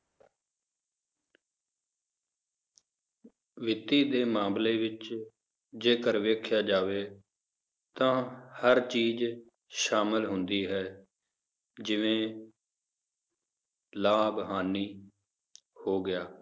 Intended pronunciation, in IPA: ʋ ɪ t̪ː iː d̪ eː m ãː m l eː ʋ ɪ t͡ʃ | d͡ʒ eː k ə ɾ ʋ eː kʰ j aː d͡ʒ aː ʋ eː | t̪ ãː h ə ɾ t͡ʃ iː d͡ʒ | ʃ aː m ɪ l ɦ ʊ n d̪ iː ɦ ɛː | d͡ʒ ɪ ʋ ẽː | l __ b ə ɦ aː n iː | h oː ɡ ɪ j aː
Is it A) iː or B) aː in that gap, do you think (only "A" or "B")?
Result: B